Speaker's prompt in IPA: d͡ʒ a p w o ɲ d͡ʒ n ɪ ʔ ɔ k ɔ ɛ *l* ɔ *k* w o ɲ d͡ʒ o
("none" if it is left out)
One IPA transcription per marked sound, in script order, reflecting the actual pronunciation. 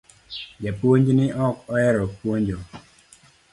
ɾ, p

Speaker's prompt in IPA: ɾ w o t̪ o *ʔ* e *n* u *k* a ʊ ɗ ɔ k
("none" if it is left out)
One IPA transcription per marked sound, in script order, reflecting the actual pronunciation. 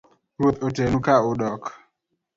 t, n, k

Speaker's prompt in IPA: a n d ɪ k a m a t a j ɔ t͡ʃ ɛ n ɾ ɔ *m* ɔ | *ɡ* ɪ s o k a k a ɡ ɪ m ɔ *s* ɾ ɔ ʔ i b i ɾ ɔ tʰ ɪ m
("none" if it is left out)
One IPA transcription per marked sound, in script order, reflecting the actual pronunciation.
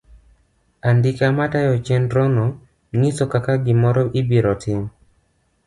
n, ŋ, none

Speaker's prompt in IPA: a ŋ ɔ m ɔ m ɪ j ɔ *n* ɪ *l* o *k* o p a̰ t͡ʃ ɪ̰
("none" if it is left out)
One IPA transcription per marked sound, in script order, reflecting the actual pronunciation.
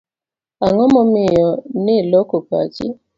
n, l, k

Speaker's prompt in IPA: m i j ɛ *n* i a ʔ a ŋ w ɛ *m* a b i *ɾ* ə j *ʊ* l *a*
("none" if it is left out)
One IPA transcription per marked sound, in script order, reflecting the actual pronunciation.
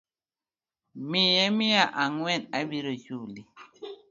m, n, ɾ, u, i

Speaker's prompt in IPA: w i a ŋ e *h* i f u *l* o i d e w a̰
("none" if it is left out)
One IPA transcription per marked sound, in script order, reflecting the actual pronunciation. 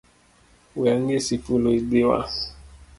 s, l

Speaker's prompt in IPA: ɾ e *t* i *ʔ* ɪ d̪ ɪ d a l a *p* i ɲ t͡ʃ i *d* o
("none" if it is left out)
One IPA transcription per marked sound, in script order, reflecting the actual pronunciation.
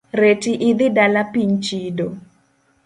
t, ʔ, p, d

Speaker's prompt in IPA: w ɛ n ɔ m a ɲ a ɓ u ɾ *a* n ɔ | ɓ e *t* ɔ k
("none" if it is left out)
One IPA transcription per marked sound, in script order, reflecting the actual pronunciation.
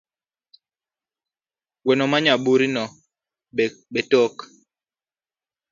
i, t

